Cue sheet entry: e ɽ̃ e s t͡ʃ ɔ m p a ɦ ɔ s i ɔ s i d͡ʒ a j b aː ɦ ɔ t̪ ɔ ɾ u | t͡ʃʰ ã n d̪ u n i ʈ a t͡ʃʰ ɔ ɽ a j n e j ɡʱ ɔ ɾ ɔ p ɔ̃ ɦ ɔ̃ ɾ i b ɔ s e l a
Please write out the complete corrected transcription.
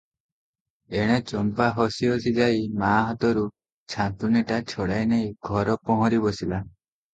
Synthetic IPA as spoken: e ɽ̃ e t͡ʃ ɔ m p a ɦ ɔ s i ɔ s i d͡ʒ a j m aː ɦ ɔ t̪ ɔ ɾ u | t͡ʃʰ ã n t̪ u n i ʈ a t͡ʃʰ ɔ ɽ a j n e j ɡʱ ɔ ɾ ɔ p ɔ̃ ɦ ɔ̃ ɾ i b ɔ s i l a